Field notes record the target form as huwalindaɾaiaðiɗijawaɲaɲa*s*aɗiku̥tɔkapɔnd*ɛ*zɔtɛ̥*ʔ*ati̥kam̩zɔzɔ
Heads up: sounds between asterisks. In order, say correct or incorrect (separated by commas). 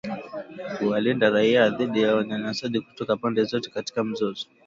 correct, correct, incorrect